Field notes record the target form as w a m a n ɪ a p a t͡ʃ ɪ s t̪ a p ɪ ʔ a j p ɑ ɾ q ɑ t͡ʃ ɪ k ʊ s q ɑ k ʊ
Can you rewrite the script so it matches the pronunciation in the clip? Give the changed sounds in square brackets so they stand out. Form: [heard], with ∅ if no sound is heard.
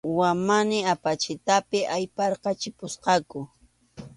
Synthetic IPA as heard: w a m a n ɪ a p a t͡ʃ ɪ [∅] t̪ a p ɪ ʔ a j p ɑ ɾ q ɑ t͡ʃ ɪ [p] ʊ s q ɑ k ʊ

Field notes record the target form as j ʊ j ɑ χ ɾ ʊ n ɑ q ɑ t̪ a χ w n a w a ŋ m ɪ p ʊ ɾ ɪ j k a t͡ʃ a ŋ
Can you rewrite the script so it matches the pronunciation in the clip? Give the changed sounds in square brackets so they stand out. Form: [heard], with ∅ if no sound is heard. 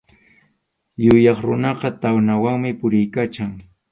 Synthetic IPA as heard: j ʊ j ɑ χ ɾ ʊ n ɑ q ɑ t̪ a [∅] w n a w a ŋ m ɪ p ʊ ɾ ɪ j k a t͡ʃ a ŋ

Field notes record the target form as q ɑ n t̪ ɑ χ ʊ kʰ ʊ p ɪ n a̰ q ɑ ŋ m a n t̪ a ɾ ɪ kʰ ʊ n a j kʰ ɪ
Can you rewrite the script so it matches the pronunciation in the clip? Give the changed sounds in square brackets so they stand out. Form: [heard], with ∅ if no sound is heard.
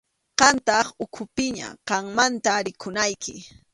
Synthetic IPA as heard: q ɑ n t̪ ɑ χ ʊ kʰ ʊ p ɪ [ɲ] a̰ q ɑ ŋ m a n t̪ a ɾ ɪ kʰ ʊ n a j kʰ ɪ

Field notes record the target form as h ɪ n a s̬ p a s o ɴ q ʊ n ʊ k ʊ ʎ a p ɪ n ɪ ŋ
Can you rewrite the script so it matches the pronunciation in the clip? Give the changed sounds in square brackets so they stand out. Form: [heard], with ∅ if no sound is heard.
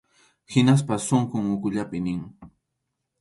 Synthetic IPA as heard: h ɪ n a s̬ p a s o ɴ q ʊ [ŋ] ʊ k ʊ ʎ a p ɪ n ɪ ŋ

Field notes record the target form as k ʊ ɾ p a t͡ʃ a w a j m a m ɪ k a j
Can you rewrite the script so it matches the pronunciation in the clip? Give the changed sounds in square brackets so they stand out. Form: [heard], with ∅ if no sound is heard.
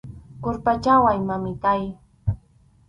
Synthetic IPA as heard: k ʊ ɾ p a t͡ʃ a w a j m a m ɪ k a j

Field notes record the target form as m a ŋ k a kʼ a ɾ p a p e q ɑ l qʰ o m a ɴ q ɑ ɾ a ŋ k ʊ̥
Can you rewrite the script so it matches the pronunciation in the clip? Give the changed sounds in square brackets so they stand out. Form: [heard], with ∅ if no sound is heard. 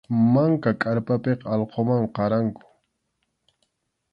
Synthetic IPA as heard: m a ŋ k a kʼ a ɾ p a p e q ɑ l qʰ o m a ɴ q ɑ ɾ a ŋ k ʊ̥

